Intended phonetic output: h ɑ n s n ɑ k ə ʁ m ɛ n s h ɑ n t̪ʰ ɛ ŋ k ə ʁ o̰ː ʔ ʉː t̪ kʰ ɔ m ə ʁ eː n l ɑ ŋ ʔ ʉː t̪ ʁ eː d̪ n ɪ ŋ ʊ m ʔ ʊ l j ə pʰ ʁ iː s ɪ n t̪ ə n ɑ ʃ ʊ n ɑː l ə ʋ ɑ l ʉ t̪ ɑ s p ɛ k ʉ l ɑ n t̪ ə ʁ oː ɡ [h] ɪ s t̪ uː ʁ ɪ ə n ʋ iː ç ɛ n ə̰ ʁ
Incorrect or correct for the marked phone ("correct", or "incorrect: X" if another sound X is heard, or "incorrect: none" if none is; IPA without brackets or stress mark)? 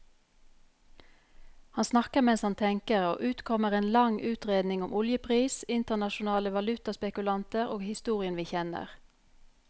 correct